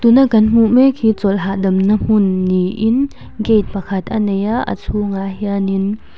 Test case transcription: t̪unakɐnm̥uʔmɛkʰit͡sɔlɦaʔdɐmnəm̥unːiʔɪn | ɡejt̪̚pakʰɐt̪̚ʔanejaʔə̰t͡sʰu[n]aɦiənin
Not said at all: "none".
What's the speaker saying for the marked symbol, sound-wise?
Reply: ŋ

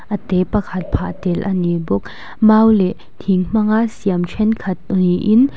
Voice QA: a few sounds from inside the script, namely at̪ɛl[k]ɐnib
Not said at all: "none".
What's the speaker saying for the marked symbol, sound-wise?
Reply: ʔ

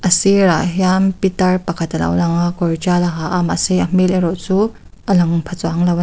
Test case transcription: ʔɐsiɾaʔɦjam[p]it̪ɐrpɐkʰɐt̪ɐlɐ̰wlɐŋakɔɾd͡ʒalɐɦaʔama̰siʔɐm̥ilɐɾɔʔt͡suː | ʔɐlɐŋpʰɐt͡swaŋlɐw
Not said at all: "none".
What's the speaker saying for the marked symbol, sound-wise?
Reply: p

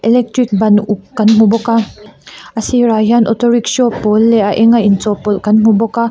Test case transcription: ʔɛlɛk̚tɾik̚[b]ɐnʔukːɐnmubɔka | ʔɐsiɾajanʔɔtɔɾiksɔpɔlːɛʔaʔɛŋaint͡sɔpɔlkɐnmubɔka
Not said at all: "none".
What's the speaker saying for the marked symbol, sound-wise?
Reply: b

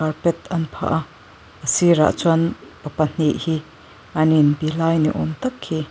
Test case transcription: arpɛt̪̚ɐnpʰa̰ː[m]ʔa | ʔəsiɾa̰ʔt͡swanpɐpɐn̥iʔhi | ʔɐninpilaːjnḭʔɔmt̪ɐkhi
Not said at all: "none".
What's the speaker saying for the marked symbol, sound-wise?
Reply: none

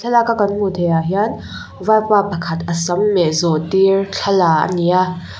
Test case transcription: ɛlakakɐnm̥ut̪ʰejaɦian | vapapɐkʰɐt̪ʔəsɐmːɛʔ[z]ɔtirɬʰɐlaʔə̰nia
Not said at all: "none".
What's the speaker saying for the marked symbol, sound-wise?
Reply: z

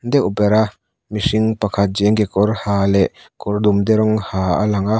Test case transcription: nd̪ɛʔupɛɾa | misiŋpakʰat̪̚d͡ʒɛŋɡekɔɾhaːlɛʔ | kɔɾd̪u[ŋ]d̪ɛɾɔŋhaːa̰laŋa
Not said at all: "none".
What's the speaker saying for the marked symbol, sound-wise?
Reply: m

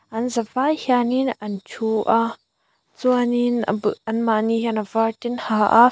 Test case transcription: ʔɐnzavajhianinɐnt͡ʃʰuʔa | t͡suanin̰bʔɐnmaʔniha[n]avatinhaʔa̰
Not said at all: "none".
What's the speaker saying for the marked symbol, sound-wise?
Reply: n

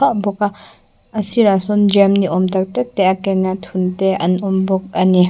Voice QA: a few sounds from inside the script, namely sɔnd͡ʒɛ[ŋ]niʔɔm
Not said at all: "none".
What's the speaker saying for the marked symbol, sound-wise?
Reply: m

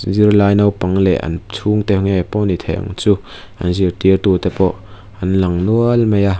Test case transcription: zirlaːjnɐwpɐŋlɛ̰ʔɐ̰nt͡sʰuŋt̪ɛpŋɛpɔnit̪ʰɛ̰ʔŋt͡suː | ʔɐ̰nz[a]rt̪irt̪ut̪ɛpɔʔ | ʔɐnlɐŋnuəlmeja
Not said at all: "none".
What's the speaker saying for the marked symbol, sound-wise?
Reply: i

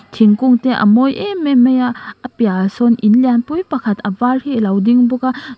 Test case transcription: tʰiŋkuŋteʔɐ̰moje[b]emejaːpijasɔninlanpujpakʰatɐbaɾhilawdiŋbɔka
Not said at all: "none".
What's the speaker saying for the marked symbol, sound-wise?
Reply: m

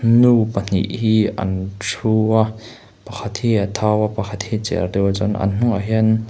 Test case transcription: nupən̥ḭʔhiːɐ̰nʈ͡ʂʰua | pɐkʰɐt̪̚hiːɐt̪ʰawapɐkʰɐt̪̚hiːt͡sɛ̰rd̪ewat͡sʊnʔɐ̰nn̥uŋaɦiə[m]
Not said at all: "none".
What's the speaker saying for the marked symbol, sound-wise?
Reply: n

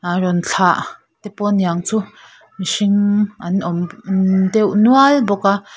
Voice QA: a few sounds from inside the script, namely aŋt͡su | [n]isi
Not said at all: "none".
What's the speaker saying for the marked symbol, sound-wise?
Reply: m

